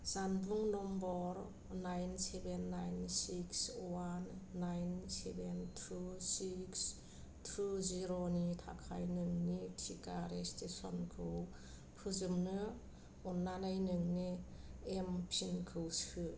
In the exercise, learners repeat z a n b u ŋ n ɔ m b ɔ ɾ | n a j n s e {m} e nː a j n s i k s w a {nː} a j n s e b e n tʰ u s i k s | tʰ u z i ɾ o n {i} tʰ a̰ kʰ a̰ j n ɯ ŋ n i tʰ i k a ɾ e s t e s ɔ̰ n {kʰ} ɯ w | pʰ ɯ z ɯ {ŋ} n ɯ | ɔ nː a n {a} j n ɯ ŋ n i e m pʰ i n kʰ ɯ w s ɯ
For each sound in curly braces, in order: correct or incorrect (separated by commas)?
incorrect, correct, correct, correct, incorrect, correct